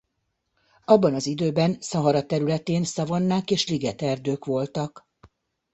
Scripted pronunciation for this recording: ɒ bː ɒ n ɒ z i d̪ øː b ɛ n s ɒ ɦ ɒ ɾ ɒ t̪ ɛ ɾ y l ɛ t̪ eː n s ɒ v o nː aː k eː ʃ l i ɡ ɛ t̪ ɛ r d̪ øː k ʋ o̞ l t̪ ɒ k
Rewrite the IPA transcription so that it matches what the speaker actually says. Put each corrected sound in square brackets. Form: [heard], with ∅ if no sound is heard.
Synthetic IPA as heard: ɒ bː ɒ n ɒ z i d̪ øː b ɛ n s ɒ ɦ ɒ ɾ ɒ t̪ ɛ ɾ y l ɛ t̪ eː n s ɒ v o nː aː k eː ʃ l i ɡ ɛ t̪ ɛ r d̪ øː k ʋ o̞ l t̪ ɒ k